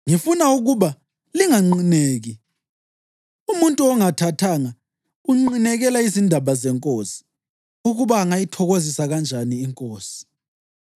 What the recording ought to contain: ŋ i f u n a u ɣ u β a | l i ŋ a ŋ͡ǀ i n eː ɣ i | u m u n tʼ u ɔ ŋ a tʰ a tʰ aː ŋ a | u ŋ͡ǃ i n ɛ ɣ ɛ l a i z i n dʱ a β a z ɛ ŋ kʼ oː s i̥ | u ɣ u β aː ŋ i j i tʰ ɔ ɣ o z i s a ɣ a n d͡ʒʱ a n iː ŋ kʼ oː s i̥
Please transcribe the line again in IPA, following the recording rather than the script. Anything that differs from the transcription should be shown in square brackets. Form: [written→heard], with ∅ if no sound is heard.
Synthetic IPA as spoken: ŋ i f u n a u ɣ u β a | l i ŋ a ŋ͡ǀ i n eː ɣ i | u m u n tʼ u ɔ ŋ a tʰ a tʰ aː ŋ a | u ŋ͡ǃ i n ɛ ɣ ɛ l a i z i n dʱ a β a z ɛ ŋ kʼ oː s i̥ | u ɣ u β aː ŋ [i→a] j i tʰ ɔ ɣ o z i s a ɣ a n d͡ʒʱ a n iː ŋ kʼ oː s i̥

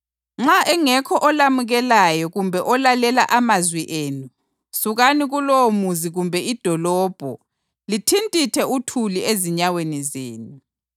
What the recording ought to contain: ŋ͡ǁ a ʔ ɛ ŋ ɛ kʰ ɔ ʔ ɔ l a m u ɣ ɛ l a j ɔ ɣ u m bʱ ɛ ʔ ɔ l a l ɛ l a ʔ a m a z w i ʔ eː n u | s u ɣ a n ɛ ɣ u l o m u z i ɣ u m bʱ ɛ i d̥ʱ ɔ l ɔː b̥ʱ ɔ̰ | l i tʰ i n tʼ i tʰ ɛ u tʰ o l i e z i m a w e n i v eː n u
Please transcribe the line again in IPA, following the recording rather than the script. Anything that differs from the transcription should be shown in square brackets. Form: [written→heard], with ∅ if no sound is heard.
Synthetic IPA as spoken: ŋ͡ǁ a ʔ ɛ ŋ ɛ kʰ ɔ ʔ ɔ l a m u ɣ ɛ l a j ɔ ɣ u m bʱ ɛ ʔ ɔ l a l ɛ l a ʔ a m a z w i ʔ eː n u | s u ɣ a n [ɛ→i] ɣ u l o m u z i ɣ u m bʱ ɛ i d̥ʱ ɔ l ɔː b̥ʱ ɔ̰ | l i tʰ i n tʼ i tʰ ɛ u tʰ [o→u] l i e z i [m→ɲ] a w e n i [v→z] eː n u

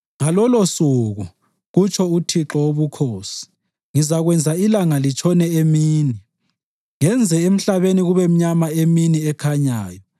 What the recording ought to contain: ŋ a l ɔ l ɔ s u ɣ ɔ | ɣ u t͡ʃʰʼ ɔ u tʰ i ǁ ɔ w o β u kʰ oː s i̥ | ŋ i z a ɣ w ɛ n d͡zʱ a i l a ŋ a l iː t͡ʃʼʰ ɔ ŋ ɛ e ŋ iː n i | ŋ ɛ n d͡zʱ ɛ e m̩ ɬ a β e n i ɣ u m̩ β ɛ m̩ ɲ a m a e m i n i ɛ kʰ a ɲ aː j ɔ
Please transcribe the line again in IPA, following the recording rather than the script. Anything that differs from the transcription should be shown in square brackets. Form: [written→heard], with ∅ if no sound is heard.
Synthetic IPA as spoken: ŋ a l ɔ l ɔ s u ɣ [ɔ→u] | ɣ u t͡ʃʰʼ ɔ u tʰ i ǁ ɔ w o β u kʰ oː s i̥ | ŋ i z a ɣ w ɛ n d͡zʱ a i l a ŋ a l [iː→i] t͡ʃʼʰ ɔ [ŋ→n] ɛ e [ŋ→m] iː n i | ŋ ɛ n d͡zʱ ɛ e m̩ ɬ a β e n i ɣ u [m̩→∅] β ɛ m̩ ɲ a m a e m i n i ɛ kʰ a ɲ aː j ɔ

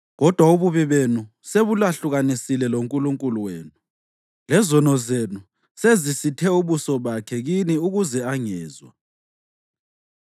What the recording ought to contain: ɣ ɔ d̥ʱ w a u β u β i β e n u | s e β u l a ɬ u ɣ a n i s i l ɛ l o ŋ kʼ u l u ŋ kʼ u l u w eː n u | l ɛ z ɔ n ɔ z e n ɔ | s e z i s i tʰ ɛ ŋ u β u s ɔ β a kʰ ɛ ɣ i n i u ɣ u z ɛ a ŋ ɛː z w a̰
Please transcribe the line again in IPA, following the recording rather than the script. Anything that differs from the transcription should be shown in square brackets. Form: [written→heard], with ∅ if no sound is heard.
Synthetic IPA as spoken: ɣ ɔ d̥ʱ w a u β u β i β e n u | s e β u l a ɬ u ɣ a n i s i l ɛ l o ŋ kʼ u l u ŋ kʼ u l u w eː n u | l ɛ z ɔ n ɔ z e n [ɔ→u] | s e z i s i tʰ ɛ [ŋ→∅] u β u s ɔ β a kʰ ɛ ɣ i n i u ɣ u z ɛ a ŋ ɛː z w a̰

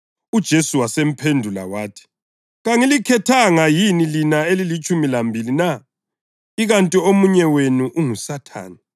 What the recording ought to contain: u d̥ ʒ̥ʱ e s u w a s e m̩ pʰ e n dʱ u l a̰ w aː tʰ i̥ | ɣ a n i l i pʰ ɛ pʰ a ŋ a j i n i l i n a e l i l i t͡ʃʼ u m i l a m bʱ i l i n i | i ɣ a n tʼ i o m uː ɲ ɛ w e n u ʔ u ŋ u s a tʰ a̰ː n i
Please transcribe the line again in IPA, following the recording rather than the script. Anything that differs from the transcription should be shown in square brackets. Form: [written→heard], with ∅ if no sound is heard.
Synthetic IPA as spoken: u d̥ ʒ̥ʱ e s u w a s e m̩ pʰ e n dʱ u l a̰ w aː tʰ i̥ | ɣ a [n→ŋ] i l i [pʰ→kʰ] ɛ [pʰ→tʰ] a ŋ a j i n i l i n a e l i l i t͡ʃʼ u m i l a m bʱ i l i n [i→a] | i ɣ a n tʼ i o m [uː→u] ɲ ɛ w e n u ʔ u ŋ u s a tʰ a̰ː n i

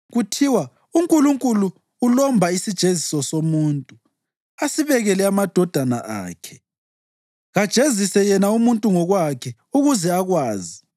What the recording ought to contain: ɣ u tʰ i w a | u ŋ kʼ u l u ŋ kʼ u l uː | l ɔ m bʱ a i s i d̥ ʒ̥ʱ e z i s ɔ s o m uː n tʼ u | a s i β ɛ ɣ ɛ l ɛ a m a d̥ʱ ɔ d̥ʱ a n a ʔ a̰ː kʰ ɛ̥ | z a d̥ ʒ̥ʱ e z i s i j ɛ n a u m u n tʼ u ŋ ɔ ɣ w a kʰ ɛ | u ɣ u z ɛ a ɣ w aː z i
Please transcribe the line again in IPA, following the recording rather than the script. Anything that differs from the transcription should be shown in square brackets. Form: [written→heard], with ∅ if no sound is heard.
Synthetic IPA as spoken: ɣ u tʰ i w a | u ŋ kʼ u l u ŋ kʼ u l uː | l ɔ m bʱ a i s i d̥ ʒ̥ʱ e z i s ɔ s o m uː n tʼ u | a s i β ɛ ɣ ɛ l ɛ a m a d̥ʱ ɔ d̥ʱ a n a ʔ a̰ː kʰ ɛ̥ | [z→ɣ] a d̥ ʒ̥ʱ e z i s [i→ɛ] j ɛ n a u m u n tʼ u ŋ ɔ ɣ w a kʰ ɛ | u ɣ u z ɛ a ɣ w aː z i

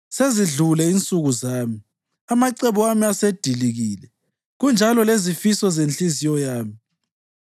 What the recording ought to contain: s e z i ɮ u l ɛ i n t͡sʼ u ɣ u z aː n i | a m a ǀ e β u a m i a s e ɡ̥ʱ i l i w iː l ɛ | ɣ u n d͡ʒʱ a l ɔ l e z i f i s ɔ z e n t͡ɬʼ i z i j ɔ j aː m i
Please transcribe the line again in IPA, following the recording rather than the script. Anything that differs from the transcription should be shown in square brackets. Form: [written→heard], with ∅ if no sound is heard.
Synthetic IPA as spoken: s e z i ɮ u l ɛ i n t͡sʼ u ɣ u z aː [n→m] i | a m a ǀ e β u a m i a s e [ɡ̥ʱ→d̥ʱ] i l i [w→ɣ] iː l ɛ | ɣ u n d͡ʒʱ a l ɔ l e z i f i s ɔ z e n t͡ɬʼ i z i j ɔ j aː m i

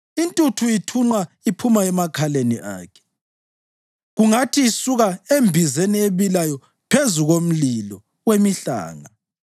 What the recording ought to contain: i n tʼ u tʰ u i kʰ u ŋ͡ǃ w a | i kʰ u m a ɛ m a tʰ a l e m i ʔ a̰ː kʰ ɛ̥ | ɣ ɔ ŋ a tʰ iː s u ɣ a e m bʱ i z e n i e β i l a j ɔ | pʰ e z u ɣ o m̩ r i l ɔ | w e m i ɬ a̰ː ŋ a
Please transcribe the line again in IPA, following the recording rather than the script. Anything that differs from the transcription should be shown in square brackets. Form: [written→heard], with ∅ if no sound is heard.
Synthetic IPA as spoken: i n tʼ u tʰ u i [kʰ→tʰ] u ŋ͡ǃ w a | i [kʰ→pʰ] u m a ɛ m a [tʰ→kʰ] a l e [m→n] i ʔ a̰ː kʰ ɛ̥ | ɣ [ɔ→u] ŋ a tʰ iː s u ɣ a e m bʱ i z e n i e β i l a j ɔ | pʰ e z u ɣ o m̩ [r→l] i l ɔ | w e m i ɬ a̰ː ŋ a

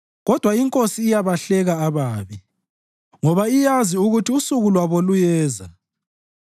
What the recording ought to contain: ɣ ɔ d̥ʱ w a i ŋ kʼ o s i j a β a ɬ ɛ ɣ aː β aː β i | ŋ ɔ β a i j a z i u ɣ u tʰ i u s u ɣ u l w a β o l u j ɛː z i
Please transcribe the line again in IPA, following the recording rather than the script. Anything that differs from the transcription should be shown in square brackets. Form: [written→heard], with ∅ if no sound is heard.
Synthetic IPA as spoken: ɣ ɔ d̥ʱ w a i ŋ kʼ o s [i→iː] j a β a ɬ ɛ ɣ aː β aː β i | ŋ ɔ β a i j a z i u ɣ u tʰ i u s u ɣ u l w a β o l u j ɛː z [i→a]

